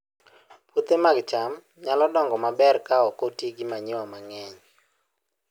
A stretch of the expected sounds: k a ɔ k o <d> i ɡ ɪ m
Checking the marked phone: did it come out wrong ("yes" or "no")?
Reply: yes